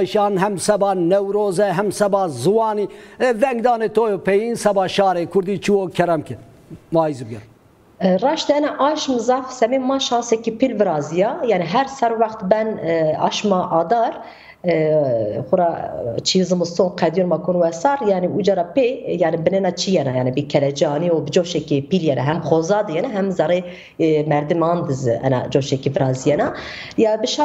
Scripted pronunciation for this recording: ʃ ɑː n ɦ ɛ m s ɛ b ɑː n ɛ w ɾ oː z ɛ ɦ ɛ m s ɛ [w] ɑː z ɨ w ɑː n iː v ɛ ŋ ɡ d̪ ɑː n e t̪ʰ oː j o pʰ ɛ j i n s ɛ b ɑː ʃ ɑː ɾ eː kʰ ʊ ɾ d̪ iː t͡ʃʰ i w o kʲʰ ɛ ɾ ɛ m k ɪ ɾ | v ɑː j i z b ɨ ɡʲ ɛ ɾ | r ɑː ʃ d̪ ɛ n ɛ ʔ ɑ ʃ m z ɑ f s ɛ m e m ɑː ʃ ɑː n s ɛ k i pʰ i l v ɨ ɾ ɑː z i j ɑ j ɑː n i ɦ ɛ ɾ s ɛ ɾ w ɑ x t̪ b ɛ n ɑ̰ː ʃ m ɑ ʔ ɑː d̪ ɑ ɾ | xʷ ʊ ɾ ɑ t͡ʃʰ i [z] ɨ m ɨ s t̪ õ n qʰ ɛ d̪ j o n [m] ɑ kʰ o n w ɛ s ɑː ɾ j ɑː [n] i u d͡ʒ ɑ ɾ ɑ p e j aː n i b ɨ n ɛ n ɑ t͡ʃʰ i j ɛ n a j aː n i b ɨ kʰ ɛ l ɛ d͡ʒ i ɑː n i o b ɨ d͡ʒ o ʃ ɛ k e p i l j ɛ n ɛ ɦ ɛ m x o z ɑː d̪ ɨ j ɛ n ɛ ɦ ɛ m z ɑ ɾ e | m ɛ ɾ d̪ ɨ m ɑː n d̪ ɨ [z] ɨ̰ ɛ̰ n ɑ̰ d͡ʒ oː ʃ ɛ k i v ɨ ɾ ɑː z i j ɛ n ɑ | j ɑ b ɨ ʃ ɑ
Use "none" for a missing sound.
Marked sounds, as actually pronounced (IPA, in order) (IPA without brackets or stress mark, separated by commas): b, z, m, n, z